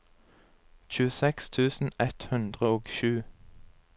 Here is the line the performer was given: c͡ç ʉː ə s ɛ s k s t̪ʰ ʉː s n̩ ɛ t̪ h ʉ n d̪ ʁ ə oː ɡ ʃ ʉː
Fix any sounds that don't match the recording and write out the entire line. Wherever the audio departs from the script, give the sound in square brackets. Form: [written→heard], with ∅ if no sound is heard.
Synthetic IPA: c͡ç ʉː ə s ɛ [s→∅] k s t̪ʰ ʉː s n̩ ɛ t̪ h ʉ n d̪ ʁ ə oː ɡ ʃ ʉː